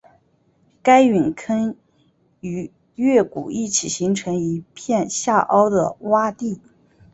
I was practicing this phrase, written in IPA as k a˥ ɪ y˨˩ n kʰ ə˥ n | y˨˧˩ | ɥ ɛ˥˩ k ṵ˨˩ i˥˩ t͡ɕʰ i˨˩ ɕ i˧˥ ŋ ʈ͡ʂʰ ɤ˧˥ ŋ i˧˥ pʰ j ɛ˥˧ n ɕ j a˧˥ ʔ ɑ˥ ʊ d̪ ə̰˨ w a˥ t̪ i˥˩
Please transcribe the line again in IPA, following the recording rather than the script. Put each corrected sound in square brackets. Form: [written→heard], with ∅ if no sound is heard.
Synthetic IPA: k a˥ ɪ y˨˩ n kʰ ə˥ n | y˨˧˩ | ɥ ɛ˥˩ k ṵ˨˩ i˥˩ t͡ɕʰ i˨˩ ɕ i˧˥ ŋ ʈ͡ʂʰ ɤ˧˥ ŋ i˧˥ pʰ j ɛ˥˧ n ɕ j [a˧˥→a˥˩] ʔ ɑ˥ ʊ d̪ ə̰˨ w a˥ t̪ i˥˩